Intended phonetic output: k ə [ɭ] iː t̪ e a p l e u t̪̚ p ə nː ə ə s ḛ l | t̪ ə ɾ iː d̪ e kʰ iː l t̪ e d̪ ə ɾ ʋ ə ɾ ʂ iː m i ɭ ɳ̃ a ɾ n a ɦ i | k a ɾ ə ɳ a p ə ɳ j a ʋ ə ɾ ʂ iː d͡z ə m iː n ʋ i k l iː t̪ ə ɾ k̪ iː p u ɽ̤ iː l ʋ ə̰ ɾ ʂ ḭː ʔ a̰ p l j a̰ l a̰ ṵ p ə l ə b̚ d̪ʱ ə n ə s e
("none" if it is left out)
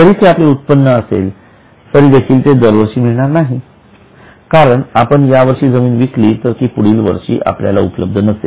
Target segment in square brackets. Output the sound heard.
ɾ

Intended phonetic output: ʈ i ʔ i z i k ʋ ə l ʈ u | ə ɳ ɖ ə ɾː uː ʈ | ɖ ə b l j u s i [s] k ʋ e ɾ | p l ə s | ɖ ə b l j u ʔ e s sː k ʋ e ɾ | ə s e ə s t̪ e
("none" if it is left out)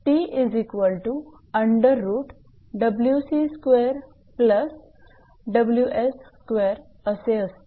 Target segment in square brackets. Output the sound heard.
s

